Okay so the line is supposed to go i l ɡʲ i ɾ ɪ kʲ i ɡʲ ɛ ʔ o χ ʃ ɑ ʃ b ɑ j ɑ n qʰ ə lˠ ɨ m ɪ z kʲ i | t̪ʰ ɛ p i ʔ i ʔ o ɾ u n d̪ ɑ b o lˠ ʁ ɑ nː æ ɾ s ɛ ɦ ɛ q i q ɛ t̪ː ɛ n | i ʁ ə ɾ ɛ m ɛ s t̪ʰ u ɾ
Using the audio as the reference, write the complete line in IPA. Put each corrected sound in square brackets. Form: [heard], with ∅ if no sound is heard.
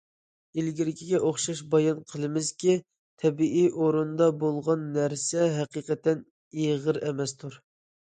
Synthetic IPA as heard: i l ɡʲ i ɾ ɪ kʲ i ɡʲ ɛ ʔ o χ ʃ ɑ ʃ b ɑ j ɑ n qʰ ə lˠ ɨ m ɪ z kʲ i | t̪ʰ ɛ [b] i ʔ i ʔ o ɾ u n d̪ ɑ b o lˠ ʁ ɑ nː æ ɾ s ɛ ɦ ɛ q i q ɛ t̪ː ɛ n | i ʁ ə ɾ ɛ m ɛ s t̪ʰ u ɾ